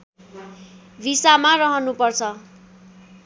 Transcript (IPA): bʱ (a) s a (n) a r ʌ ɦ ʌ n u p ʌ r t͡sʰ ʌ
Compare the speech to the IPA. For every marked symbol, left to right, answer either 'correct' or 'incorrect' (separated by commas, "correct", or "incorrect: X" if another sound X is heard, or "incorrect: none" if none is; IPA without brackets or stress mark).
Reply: incorrect: i, incorrect: m